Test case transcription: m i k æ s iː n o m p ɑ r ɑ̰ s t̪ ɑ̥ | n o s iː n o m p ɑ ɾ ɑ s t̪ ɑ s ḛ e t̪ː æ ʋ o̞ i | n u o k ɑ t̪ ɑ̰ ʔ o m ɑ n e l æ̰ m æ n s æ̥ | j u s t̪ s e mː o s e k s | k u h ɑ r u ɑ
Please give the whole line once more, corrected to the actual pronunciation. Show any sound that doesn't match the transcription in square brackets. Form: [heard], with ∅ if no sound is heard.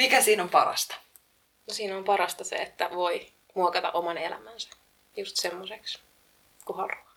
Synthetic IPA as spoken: m i k æ s iː n o m p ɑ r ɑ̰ s t̪ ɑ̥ | n o s iː n o m p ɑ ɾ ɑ s t̪ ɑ s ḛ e t̪ː æ ʋ o̞ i | [m] u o k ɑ t̪ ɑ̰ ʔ o m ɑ n e l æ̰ m æ n s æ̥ | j u s t̪ s e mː o s e k s | k u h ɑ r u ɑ